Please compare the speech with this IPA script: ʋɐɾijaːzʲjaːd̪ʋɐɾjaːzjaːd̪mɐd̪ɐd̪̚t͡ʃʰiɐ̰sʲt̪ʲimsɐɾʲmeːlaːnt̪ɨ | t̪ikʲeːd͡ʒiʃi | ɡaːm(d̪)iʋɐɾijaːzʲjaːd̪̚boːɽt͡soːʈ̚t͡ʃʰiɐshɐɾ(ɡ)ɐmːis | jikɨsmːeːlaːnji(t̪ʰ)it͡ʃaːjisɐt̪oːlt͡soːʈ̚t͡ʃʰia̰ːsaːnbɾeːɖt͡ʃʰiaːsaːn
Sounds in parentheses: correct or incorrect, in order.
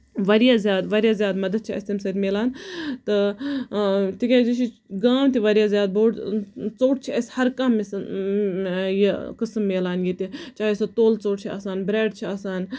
incorrect: t̪, incorrect: k, incorrect: t̪

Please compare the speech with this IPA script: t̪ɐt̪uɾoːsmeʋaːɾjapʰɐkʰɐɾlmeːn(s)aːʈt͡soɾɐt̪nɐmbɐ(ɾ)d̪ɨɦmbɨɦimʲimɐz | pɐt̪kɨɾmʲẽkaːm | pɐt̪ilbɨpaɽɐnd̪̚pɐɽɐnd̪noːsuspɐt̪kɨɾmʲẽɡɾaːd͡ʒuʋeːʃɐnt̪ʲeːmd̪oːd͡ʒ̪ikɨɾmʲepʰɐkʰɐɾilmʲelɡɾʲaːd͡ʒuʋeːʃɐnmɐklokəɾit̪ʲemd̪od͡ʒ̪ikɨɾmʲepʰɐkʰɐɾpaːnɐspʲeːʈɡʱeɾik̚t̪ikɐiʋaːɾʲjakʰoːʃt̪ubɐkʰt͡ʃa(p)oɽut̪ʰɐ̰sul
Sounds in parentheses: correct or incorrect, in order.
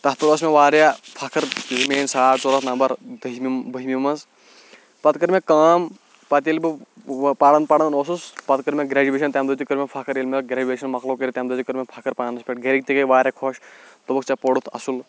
correct, correct, correct

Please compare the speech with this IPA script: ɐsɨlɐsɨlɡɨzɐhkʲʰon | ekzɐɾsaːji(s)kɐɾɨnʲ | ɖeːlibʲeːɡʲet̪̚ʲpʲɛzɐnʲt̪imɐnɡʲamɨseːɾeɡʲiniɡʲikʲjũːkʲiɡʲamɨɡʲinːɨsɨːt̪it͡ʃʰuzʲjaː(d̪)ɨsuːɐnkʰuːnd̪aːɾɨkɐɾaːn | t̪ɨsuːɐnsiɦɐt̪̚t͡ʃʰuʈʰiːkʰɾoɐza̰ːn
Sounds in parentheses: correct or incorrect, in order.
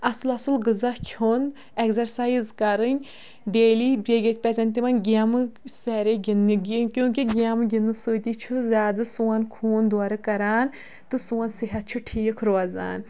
incorrect: z, correct

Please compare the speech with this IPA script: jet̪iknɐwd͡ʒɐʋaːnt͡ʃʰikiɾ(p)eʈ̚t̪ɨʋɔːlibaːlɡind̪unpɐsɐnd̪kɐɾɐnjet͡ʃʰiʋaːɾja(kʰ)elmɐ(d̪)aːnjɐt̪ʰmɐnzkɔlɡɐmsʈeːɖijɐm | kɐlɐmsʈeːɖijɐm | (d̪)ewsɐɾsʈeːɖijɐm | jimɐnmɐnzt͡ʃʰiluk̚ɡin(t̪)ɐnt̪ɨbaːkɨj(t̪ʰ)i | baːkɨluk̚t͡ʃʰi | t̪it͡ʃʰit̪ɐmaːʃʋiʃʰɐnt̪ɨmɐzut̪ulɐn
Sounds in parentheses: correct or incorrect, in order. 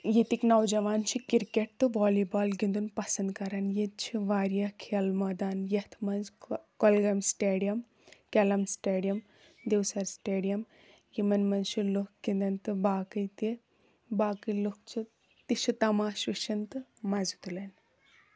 incorrect: k, correct, correct, correct, incorrect: d̪, incorrect: t̪

